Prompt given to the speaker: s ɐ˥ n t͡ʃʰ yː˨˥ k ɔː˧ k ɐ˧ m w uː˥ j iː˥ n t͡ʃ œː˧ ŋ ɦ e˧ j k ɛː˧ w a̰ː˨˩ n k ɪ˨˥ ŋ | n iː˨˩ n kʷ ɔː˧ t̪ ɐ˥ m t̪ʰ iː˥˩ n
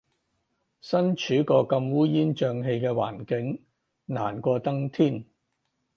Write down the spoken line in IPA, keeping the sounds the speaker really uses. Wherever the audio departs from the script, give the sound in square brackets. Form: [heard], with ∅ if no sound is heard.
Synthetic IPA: s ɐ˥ n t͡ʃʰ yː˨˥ k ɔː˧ k ɐ˧ m w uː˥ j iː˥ n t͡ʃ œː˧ ŋ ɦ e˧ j k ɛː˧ w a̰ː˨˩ n k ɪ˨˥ ŋ | n [aː˨˩] n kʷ ɔː˧ t̪ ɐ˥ [ŋ] t̪ʰ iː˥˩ n